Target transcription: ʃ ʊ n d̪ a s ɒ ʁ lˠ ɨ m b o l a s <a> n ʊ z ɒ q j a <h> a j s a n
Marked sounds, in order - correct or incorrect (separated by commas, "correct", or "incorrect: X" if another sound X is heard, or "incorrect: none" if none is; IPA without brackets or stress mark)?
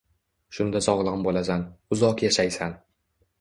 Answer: correct, incorrect: ʃ